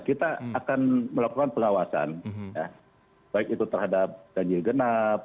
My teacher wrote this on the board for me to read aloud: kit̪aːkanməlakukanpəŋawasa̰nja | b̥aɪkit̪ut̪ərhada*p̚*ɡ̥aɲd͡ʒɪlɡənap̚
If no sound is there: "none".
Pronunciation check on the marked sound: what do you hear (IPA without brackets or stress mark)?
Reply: p̚